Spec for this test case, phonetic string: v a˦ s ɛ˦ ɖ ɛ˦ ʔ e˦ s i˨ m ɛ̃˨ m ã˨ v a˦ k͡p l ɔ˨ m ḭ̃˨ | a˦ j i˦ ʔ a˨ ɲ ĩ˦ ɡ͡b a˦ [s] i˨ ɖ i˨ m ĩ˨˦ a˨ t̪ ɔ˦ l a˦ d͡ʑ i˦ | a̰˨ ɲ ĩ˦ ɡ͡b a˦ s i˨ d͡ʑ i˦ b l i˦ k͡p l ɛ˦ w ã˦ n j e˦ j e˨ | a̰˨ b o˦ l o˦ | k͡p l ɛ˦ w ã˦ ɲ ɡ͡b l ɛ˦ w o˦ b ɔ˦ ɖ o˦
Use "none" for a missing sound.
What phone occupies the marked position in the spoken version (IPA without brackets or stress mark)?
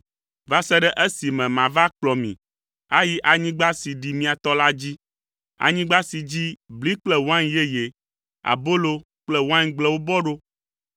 s